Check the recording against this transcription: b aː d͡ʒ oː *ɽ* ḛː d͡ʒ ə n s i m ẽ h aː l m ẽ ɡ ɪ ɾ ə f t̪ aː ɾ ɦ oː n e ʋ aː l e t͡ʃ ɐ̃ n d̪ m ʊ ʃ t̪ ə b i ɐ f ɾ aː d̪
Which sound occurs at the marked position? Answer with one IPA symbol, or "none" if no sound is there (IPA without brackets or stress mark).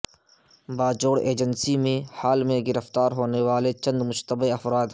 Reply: ɽ